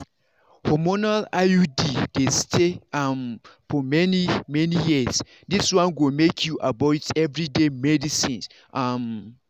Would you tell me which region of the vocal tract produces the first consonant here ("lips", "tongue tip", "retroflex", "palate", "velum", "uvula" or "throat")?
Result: throat